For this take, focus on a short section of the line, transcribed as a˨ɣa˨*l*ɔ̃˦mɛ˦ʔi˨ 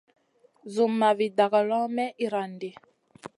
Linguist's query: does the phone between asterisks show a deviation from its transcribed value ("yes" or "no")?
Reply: no